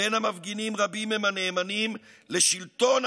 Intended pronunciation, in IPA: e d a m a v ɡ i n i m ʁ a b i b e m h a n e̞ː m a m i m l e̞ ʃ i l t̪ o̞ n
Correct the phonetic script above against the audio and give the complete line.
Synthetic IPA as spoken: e n a m a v ɡ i n i m ʁ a b i m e m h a n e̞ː m a n i m l e̞ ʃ i l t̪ o̞ n